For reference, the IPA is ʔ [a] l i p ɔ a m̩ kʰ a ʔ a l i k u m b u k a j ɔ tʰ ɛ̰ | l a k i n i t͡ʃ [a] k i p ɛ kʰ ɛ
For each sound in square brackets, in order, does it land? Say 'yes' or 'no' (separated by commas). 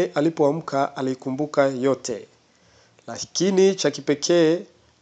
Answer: yes, yes